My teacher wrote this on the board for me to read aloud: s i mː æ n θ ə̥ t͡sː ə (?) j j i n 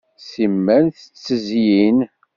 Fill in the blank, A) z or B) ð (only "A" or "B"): A